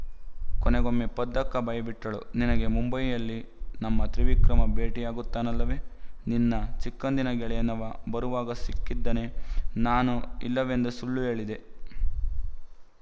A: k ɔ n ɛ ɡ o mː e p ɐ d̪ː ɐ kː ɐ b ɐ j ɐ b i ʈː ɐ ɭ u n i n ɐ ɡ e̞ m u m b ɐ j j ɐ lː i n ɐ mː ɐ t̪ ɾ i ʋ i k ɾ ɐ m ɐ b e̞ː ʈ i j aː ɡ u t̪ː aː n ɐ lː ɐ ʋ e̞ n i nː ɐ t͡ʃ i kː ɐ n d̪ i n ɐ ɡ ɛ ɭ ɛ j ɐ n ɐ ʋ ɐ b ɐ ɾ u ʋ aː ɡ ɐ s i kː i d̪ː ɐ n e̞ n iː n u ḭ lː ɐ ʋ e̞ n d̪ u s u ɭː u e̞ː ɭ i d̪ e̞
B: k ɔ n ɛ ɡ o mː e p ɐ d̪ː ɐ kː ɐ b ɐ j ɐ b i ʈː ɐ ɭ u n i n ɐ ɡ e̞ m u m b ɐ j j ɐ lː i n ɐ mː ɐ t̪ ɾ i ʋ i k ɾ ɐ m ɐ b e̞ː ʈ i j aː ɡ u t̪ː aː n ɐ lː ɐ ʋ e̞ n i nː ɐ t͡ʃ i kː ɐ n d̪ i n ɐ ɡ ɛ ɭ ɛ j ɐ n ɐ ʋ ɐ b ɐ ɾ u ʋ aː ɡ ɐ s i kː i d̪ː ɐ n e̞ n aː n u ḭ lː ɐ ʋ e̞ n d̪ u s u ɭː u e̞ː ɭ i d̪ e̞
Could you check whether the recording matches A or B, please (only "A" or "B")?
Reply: B